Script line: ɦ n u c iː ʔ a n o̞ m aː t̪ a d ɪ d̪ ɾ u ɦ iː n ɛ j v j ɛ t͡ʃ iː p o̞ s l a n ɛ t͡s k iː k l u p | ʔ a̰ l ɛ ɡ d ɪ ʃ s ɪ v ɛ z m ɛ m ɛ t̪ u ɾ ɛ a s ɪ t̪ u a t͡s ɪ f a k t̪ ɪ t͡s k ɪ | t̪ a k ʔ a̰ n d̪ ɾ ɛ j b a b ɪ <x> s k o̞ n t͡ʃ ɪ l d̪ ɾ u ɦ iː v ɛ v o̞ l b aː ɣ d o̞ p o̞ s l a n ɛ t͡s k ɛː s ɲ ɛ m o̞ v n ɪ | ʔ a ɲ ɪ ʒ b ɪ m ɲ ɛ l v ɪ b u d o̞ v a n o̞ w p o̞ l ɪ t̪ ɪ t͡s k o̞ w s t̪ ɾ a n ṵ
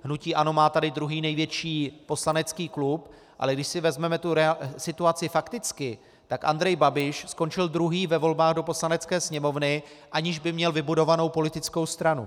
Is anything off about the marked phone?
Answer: yes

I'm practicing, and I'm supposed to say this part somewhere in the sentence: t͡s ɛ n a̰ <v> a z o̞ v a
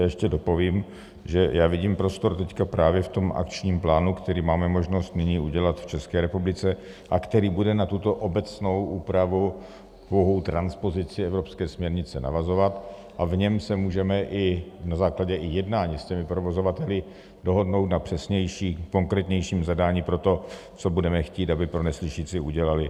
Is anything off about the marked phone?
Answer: no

